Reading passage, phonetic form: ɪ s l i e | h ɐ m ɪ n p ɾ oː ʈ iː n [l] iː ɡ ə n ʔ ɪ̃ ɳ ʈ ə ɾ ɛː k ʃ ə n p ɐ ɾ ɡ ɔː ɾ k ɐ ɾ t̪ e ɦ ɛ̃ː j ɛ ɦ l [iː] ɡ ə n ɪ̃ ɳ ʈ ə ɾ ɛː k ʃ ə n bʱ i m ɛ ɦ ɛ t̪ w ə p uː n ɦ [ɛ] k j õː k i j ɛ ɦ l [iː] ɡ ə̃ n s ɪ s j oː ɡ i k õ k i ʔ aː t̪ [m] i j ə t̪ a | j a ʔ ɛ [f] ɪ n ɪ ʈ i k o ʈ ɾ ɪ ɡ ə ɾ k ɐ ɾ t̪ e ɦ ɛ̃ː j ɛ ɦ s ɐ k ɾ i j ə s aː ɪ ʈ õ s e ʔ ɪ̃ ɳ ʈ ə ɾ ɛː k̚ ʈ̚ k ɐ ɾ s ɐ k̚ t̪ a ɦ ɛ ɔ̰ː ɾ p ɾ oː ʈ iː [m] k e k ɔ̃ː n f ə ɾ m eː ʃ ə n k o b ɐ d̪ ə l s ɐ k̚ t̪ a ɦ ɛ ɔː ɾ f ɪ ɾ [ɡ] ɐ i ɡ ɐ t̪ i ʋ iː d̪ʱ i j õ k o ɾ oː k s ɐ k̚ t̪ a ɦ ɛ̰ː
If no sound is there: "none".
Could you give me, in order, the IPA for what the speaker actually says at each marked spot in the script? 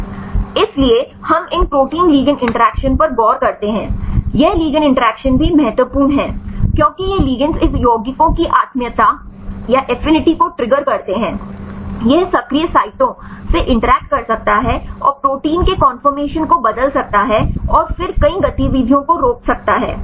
l, iː, ɛː, iː, m, f, n, k

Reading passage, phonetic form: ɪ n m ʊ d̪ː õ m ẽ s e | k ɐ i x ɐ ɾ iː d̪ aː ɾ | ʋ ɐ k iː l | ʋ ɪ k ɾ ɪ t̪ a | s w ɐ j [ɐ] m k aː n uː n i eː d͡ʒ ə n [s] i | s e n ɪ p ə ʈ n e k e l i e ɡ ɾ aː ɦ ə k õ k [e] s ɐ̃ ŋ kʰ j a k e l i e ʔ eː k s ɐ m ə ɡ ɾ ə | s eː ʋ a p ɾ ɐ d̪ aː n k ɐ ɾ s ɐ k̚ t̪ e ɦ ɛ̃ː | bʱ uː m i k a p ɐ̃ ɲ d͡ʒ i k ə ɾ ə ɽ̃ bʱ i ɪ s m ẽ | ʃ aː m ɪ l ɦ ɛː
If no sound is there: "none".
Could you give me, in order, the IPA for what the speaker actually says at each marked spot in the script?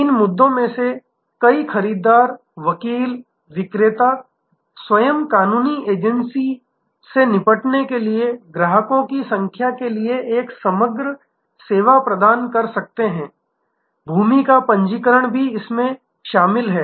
ə, s, i

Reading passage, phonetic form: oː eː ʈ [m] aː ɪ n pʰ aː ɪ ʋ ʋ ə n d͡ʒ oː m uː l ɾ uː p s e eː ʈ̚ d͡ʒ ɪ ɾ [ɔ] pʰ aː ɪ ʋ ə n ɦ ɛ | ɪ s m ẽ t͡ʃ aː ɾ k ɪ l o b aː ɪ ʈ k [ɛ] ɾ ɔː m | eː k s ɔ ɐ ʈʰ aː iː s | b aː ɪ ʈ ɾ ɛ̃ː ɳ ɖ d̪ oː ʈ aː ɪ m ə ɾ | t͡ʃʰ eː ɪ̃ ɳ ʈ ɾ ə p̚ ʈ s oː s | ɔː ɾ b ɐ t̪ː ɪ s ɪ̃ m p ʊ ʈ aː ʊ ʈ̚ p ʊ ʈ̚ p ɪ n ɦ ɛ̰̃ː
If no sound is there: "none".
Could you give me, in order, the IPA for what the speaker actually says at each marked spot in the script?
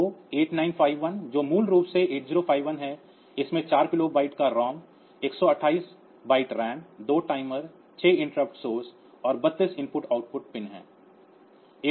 n, o, a

